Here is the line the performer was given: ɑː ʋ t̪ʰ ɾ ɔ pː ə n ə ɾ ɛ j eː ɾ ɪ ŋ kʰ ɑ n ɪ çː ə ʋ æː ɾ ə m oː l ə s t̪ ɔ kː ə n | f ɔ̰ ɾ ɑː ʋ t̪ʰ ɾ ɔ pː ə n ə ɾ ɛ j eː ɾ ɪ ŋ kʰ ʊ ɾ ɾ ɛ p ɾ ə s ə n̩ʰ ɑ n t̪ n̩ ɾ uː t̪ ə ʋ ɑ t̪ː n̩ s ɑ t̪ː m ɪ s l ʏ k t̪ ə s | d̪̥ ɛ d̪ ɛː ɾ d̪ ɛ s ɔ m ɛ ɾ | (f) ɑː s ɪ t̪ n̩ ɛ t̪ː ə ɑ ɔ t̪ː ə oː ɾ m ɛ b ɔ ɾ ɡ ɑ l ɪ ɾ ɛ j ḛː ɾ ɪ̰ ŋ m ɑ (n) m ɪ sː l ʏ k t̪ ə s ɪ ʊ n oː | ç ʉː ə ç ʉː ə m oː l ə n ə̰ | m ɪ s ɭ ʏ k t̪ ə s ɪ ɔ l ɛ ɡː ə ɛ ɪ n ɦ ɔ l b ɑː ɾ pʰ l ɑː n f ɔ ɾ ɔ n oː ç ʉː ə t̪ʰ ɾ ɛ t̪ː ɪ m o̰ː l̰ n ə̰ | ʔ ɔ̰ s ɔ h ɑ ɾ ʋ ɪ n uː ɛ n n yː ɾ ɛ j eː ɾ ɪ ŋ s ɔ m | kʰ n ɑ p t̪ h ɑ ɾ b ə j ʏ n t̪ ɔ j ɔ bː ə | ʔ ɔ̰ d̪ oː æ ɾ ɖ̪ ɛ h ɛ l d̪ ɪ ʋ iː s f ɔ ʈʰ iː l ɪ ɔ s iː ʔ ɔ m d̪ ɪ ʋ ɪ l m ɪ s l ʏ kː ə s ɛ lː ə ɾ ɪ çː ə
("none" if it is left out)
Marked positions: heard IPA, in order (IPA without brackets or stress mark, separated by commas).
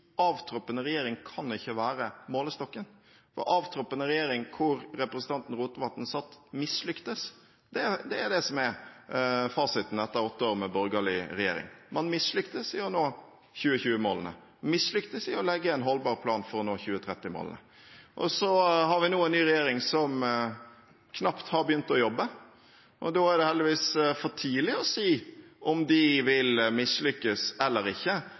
f, n